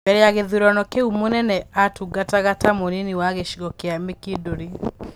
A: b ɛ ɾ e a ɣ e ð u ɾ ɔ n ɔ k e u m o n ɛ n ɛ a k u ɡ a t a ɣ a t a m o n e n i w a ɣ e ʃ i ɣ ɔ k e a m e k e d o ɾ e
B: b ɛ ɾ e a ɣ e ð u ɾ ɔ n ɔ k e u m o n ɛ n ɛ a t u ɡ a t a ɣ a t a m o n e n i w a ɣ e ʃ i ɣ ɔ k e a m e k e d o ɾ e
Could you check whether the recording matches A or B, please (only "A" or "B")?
B